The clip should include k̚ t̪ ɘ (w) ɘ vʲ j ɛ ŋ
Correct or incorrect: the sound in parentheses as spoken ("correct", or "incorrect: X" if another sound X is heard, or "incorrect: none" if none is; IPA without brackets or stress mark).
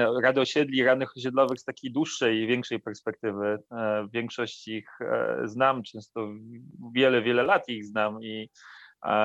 incorrect: v